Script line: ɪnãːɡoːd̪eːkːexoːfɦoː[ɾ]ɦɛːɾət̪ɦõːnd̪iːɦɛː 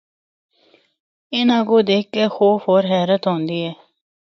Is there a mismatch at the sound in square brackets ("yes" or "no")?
no